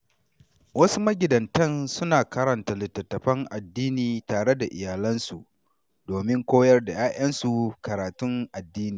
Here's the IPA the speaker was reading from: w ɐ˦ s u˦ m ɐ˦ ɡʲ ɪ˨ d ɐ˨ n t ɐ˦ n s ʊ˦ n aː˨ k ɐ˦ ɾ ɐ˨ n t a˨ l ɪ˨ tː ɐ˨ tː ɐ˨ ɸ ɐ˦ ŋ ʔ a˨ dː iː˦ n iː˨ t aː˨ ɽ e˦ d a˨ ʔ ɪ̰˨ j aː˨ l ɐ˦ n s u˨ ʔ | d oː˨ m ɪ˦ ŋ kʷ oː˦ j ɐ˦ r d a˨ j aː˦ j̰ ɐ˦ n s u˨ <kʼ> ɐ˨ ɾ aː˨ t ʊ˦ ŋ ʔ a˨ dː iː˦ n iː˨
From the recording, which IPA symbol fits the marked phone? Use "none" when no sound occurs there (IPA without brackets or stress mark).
k